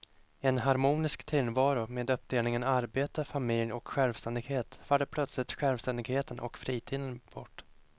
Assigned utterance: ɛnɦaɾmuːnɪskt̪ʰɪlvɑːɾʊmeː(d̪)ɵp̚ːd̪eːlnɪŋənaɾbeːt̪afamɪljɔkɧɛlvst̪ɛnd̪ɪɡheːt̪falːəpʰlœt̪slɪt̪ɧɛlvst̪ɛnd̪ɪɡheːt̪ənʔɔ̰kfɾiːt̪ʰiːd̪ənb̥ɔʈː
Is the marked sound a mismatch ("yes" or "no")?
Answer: no